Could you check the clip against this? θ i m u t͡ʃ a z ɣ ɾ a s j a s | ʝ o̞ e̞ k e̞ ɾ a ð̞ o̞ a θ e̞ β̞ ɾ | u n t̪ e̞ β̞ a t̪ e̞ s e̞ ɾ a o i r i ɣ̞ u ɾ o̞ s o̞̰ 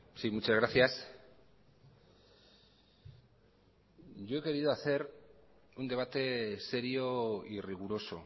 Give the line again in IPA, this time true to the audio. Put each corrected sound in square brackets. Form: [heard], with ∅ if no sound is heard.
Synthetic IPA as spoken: [s] i m u t͡ʃ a z ɣ ɾ a [θ] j a s | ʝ o̞ e̞ k e̞ ɾ [i] ð̞ o̞ a θ e̞ [∅] ɾ | u n [d̪] e̞ β̞ a t̪ e̞ s e̞ ɾ [i] o i r i ɣ̞ u ɾ o̞ s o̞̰

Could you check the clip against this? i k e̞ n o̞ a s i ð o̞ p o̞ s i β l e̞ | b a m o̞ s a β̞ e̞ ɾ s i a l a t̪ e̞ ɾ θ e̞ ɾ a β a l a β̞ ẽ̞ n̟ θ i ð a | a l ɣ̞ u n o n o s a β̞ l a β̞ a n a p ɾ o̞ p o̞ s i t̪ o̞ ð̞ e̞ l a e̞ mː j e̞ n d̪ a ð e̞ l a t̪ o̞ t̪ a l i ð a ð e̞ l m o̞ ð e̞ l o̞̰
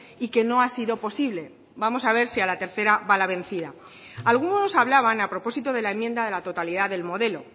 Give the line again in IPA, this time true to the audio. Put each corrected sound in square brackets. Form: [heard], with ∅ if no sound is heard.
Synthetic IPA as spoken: i k e̞ n o̞ a s i ð o̞ p o̞ s i β l e̞ | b a m o̞ s a β̞ e̞ ɾ s i a l a t̪ e̞ ɾ θ e̞ ɾ a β a l a β̞ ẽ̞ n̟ θ i ð a | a l ɣ̞ u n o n o s a β̞ l a β̞ a n a p ɾ o̞ p o̞ s i t̪ o̞ ð̞ e̞ l a e̞ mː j e̞ n d̪ a ð e̞ l a t̪ o̞ t̪ a l i ð a ð e̞ l m o̞ ð e̞ l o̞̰

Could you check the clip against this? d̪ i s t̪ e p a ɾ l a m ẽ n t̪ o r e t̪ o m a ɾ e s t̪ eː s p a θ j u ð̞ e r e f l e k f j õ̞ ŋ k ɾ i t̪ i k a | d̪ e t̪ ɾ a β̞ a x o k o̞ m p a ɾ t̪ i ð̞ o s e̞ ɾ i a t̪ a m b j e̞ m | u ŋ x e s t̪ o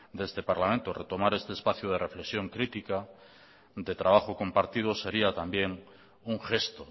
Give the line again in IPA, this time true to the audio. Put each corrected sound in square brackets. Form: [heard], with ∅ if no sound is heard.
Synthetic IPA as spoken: d̪ [e] s t̪ e p a ɾ l a m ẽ n t̪ o r e t̪ o m a ɾ e s t̪ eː s p a θ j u ð̞ e r e f l e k [s] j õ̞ ŋ k ɾ i t̪ i k a | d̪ e t̪ ɾ a β̞ a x o k o̞ m p a ɾ t̪ i ð̞ o s e̞ ɾ i a t̪ a m b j e̞ [ŋ] | u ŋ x e s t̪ o

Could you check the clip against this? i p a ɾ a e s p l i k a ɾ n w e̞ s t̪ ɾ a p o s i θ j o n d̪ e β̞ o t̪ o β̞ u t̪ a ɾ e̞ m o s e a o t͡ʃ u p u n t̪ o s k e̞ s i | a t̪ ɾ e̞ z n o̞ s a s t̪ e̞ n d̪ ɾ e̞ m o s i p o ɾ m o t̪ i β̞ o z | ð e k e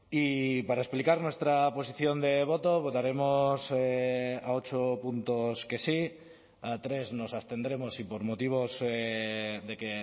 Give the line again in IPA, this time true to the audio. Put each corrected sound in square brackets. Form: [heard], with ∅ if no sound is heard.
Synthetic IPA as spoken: i p a ɾ a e s p l i k a ɾ n w e̞ s t̪ ɾ a p o s i θ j o n d̪ e β̞ o t̪ o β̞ [o] t̪ a ɾ e̞ m o s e a o t͡ʃ [o] p u n t̪ o s k e̞ s i | a t̪ ɾ e̞ z n o̞ s a s t̪ e̞ n d̪ ɾ e̞ m o s i p o ɾ m o t̪ i β̞ o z | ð e k e

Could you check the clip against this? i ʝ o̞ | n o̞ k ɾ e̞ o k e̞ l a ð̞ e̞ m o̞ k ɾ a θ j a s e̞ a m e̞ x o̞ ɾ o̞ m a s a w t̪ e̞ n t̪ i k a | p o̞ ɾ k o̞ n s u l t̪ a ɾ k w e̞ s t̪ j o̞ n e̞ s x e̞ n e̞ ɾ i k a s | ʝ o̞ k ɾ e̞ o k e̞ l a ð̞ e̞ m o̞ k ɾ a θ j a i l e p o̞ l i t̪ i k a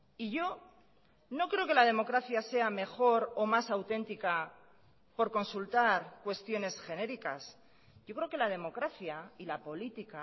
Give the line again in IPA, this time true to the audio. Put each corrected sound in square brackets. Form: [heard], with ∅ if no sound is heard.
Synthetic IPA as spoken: i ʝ o̞ | n o̞ k ɾ e̞ o k e̞ l a ð̞ e̞ m o̞ k ɾ a θ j a s e̞ a m e̞ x o̞ ɾ o̞ m a s a w t̪ e̞ n t̪ i k a | p o̞ ɾ k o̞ n s u l t̪ a ɾ k w e̞ s t̪ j o̞ n e̞ s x e̞ n e̞ ɾ i k a s | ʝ o̞ k ɾ e̞ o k e̞ l a ð̞ e̞ m o̞ k ɾ a θ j a i l [a] p o̞ l i t̪ i k a

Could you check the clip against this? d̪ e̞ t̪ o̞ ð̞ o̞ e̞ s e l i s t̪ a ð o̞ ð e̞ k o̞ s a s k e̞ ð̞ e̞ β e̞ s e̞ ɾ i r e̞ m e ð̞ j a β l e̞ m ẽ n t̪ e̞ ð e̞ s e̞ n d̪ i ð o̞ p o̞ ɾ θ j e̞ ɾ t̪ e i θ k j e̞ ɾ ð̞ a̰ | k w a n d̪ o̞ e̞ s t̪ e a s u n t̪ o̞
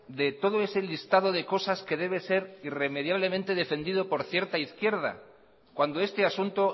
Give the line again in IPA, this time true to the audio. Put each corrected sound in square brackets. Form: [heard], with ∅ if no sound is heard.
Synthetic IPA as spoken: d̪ e̞ t̪ o̞ ð̞ o̞ e̞ s e l i s t̪ a ð o̞ ð e̞ k o̞ s a s k e̞ ð̞ e̞ β e̞ s e̞ ɾ i r e̞ m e ð̞ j a β l e̞ m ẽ n t̪ e̞ ð e̞ [f] e̞ n d̪ i ð o̞ p o̞ ɾ θ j e̞ ɾ t̪ [a] i θ k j e̞ ɾ ð̞ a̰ | k w a n d̪ o̞ e̞ s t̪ e a s u n t̪ o̞

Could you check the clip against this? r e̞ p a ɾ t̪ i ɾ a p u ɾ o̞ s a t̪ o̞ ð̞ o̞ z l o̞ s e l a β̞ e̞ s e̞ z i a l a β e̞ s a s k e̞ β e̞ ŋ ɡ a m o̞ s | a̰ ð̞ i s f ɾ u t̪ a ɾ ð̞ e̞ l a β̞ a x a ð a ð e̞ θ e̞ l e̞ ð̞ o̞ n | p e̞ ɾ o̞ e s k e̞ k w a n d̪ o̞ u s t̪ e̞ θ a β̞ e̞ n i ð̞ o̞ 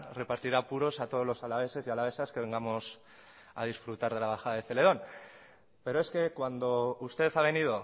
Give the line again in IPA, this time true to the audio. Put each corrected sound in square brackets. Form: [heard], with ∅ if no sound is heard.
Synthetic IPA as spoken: r e̞ p a ɾ t̪ i ɾ a p u ɾ o̞ s a t̪ o̞ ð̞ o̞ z l o̞ s [a] l a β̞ e̞ s e̞ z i a l a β e̞ s a s k e̞ β e̞ ŋ ɡ a m o̞ s | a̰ ð̞ i s f ɾ u t̪ a ɾ ð̞ e̞ l a β̞ a x a ð a ð e̞ θ e̞ l e̞ ð̞ o̞ n | p e̞ ɾ o̞ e s k e̞ k w a n d̪ o̞ u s t̪ e̞ θ a β̞ e̞ n i ð̞ o̞

